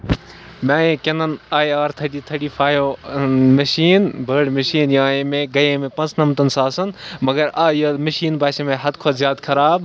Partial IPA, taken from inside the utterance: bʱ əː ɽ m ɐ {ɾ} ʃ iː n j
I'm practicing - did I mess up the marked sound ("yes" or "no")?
yes